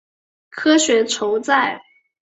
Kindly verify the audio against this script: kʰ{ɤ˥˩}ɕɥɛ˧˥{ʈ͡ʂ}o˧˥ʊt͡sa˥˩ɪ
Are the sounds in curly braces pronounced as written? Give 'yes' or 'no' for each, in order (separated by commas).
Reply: no, no